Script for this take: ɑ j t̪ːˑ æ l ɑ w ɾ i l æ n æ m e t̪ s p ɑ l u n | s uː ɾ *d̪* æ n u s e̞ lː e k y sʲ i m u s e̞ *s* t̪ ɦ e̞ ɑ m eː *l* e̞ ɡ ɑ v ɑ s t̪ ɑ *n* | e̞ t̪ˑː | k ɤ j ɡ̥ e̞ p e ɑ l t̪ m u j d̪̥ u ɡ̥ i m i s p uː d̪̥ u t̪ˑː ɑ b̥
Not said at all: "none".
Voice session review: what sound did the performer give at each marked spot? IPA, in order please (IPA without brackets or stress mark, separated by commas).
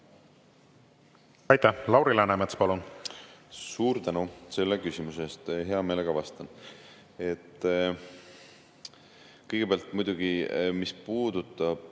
t̪, s, l, n